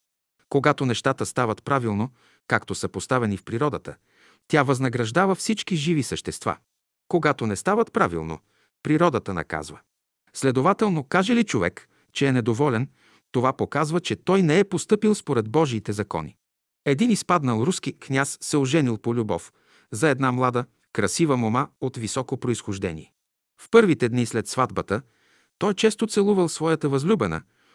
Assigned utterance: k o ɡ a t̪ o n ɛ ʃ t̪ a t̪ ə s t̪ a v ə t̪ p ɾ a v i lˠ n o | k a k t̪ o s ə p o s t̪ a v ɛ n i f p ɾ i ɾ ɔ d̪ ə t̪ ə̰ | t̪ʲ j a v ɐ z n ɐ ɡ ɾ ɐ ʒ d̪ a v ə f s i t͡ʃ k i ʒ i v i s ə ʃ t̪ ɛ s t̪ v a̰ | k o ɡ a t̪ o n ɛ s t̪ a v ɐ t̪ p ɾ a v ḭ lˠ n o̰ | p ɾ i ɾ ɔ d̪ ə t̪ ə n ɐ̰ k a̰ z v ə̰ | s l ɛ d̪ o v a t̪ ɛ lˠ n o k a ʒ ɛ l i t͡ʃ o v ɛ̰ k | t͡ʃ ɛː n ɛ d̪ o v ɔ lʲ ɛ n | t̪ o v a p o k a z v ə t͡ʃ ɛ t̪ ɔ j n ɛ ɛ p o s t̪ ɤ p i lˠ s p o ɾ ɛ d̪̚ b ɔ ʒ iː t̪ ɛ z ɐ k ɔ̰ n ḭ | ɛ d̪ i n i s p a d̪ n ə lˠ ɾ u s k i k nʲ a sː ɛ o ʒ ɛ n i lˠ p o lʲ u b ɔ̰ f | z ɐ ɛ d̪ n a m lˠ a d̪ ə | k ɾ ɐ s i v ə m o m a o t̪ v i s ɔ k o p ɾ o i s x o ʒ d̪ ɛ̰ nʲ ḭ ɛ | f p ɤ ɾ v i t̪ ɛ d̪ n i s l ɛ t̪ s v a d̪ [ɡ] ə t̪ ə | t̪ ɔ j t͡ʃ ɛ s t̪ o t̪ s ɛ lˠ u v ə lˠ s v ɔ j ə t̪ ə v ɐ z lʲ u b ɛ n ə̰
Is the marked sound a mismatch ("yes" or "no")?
yes